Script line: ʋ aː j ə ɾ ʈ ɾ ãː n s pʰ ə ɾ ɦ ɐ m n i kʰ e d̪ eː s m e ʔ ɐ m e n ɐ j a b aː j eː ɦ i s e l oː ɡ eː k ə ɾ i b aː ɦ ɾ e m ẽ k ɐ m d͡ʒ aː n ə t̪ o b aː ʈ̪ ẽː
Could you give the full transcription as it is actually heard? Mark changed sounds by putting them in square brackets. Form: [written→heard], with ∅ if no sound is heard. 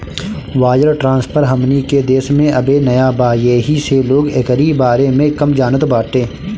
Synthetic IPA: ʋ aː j ə ɾ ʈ ɾ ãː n s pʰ ə ɾ ɦ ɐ m n i [kʰ→k] e d̪ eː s m [e→ẽ] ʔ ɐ [m→b] e n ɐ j a b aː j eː ɦ i s e l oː ɡ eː k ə ɾ i b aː [ɦ→∅] ɾ e m ẽ k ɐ m d͡ʒ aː n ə t̪ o b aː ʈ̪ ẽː